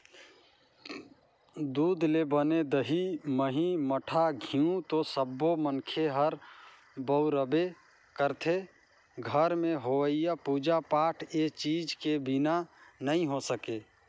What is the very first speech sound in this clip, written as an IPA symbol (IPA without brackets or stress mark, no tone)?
d̪